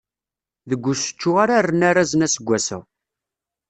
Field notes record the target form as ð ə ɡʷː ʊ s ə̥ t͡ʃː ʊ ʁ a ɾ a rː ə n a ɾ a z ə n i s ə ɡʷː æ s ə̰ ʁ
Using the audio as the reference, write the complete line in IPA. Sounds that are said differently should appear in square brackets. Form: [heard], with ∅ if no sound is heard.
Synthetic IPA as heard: ð ə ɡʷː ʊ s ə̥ t͡ʃː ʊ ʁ a ɾ a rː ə n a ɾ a z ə n [æ] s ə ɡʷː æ s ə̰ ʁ